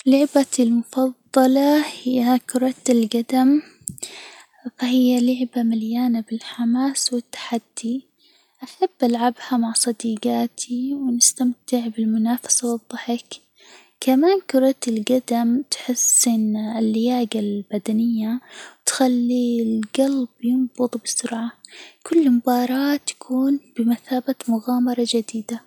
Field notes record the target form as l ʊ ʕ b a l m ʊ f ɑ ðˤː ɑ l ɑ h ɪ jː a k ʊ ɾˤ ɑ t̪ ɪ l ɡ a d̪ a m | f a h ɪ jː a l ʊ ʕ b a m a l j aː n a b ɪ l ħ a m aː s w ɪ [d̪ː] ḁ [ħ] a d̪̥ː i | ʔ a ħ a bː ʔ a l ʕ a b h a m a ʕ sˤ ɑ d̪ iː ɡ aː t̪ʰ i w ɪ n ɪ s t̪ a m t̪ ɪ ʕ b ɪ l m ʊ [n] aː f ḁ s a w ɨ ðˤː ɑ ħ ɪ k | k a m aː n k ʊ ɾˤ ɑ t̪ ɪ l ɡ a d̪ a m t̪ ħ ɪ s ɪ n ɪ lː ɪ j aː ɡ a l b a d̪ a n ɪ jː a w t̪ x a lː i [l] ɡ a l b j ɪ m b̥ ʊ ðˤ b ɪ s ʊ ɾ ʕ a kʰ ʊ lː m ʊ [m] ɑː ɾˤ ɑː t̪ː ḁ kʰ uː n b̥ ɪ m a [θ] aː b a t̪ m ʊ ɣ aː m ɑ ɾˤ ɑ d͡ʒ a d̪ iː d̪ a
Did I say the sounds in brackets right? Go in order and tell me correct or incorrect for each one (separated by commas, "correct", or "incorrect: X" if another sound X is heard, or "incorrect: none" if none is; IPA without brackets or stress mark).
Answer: incorrect: t̪ː, correct, correct, correct, incorrect: b, correct